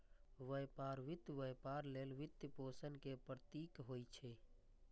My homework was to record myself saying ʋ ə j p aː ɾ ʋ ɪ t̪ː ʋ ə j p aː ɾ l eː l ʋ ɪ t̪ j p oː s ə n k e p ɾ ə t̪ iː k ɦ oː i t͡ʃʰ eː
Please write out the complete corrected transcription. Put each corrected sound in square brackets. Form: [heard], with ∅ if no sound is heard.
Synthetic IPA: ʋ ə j p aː ɾ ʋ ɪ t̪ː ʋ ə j p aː ɾ l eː l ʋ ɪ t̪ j p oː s ə n k e p ɾ ə t̪ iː k ɦ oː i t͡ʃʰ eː